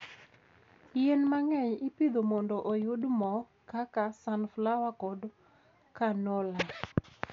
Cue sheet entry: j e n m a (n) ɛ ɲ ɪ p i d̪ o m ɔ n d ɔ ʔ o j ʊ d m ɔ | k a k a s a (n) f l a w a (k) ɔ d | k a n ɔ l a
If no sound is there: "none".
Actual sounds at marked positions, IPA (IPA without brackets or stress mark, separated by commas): ŋ, n, k